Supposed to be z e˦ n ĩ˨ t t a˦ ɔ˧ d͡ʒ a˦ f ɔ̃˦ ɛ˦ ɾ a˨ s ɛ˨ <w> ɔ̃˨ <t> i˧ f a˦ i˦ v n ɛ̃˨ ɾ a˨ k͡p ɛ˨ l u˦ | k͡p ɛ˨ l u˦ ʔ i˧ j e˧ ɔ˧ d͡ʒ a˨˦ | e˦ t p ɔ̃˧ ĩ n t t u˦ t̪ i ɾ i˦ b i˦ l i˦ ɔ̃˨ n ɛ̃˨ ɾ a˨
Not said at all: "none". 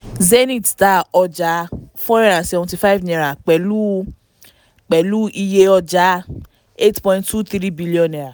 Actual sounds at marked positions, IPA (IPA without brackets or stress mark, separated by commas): v, t